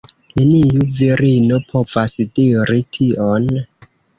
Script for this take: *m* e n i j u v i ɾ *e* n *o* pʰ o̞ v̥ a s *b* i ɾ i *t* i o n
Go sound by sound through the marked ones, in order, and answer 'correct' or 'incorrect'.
incorrect: n, incorrect: i, correct, incorrect: d, incorrect: tʰ

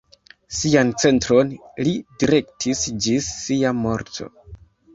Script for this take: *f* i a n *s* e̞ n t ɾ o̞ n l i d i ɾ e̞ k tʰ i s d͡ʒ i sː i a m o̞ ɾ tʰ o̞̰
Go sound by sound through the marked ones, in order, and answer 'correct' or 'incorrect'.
incorrect: s, incorrect: t͡s

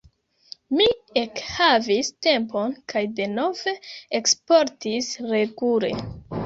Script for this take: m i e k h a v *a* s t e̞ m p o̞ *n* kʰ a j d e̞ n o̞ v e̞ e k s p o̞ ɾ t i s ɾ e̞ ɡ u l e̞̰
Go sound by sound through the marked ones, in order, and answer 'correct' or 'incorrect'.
incorrect: i, correct

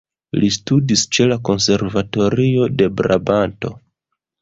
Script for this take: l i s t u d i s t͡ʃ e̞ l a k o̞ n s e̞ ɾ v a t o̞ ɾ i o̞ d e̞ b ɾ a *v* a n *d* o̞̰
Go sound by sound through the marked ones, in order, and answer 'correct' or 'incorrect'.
incorrect: b, incorrect: t

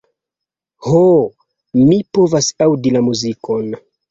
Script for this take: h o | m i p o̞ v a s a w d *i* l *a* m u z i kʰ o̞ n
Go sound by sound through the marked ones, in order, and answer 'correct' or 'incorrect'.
correct, correct

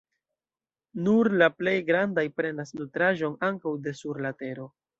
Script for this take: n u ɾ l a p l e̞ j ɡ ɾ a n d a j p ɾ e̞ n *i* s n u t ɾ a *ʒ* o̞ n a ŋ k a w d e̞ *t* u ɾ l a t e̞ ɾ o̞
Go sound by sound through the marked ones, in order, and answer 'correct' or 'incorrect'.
incorrect: a, correct, incorrect: s

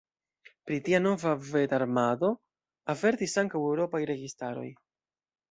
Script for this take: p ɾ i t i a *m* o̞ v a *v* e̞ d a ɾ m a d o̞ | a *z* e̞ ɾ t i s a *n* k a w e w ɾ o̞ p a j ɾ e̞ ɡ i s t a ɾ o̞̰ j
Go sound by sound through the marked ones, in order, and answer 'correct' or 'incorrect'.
incorrect: n, correct, incorrect: v, incorrect: ŋ

